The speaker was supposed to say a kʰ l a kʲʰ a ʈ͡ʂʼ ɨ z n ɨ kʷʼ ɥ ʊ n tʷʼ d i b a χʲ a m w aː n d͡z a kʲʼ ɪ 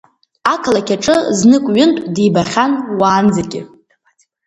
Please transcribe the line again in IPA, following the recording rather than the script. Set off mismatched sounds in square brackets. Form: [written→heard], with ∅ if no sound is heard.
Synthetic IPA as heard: a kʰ l a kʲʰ a ʈ͡ʂʼ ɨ z n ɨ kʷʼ ɥ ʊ n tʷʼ d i b a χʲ a [m→n] w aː n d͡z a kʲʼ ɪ

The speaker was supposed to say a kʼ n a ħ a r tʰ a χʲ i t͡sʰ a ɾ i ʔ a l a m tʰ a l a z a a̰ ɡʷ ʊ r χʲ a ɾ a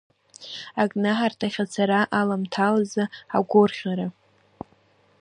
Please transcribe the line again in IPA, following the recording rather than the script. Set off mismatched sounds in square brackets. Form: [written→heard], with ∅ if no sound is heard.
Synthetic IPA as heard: a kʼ n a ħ a r tʰ a χʲ [i→a] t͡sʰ a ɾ [i→a] ʔ a l a m tʰ a l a z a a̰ ɡʷ ʊ r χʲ a ɾ a

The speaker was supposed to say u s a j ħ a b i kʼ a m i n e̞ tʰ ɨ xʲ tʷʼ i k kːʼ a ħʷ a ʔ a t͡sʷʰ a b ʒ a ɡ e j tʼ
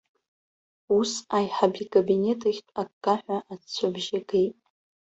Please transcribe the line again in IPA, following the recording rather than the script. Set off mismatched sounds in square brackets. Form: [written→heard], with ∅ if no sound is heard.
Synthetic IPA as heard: u s a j ħ a b i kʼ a [m→b] i n e̞ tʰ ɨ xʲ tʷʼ [i→a] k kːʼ a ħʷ a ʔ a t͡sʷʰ a b ʒ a ɡ e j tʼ

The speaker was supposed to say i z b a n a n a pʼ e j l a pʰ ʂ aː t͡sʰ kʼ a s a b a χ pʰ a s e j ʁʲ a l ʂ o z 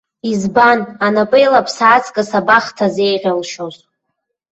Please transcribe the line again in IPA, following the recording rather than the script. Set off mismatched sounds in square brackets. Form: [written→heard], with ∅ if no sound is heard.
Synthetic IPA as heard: i z b a n a n a pʼ e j l a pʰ [ʂ→s] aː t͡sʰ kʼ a s a b a χ [pʰ→tʰ] a [s→z] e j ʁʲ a l [ʂ→ʃ] o z

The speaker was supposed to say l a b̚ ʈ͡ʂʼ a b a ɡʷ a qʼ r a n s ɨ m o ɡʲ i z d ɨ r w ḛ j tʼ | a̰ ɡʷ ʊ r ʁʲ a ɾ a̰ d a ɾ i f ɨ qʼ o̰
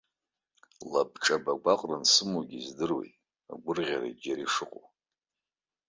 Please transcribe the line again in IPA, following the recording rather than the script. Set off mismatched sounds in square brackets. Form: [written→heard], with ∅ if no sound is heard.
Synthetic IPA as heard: l a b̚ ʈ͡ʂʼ a b a ɡʷ a qʼ r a n s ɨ m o ɡʲ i z d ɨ r w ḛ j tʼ | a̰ ɡʷ ʊ r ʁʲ a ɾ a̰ [d→d͡ʒ] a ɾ i [f→ʂ] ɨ qʼ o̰

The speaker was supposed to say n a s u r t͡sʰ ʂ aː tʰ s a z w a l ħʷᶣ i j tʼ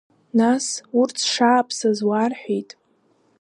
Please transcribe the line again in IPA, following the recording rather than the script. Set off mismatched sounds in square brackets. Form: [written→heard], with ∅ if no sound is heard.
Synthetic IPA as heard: n a s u r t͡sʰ ʂ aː [tʰ→pʰ] s a z w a [l→r] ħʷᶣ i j tʼ

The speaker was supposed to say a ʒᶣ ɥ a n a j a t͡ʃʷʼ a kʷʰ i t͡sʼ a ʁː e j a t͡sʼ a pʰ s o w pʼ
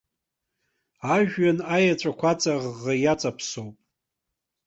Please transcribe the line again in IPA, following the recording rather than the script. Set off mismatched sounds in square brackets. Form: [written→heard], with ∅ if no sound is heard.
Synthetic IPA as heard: a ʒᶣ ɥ a n a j a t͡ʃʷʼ a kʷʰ [i→a] t͡sʼ a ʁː [e→a] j a t͡sʼ a pʰ s o w pʼ

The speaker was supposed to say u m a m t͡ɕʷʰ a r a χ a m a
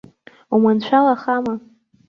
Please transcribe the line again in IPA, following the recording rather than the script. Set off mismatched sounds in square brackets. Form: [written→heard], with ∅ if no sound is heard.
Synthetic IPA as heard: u m a [m→n] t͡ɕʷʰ a [r→l] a χ a m a

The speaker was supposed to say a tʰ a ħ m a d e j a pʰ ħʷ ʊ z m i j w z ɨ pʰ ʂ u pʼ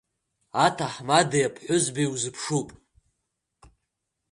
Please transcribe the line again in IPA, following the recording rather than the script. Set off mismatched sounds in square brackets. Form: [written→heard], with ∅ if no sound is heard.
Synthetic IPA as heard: a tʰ a ħ m a d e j a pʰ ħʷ ʊ z [m→b] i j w z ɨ pʰ ʂ u pʼ

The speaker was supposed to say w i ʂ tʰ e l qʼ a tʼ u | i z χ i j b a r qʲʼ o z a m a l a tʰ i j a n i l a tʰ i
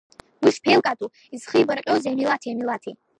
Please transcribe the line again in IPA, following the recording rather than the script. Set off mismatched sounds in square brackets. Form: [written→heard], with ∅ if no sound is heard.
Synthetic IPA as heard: w i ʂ [tʰ→pʰ] e l [qʼ→kʼ] a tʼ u | i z χ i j b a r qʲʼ o z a m [a→i] l a tʰ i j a [n→m] i l a tʰ i

